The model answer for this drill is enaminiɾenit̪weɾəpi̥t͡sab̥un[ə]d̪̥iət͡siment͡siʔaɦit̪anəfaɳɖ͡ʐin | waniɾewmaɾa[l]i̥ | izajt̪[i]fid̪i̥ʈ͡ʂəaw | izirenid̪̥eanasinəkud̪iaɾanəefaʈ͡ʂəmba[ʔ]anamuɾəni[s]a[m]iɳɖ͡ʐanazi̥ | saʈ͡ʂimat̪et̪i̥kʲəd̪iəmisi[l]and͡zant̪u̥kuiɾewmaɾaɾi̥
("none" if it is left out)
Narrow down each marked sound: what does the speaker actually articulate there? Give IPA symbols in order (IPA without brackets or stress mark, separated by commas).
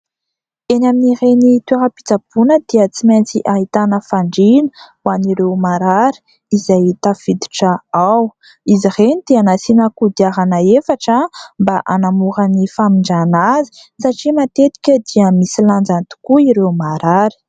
ə, ɾ, a, ʔ, f, m, l